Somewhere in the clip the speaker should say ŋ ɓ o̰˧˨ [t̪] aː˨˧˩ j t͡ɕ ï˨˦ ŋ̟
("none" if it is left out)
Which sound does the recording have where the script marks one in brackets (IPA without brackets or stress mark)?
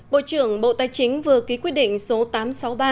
t̪